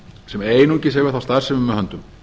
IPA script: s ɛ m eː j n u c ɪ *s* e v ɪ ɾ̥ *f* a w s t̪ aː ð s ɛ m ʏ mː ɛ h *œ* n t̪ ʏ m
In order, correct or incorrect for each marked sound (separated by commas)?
correct, incorrect, correct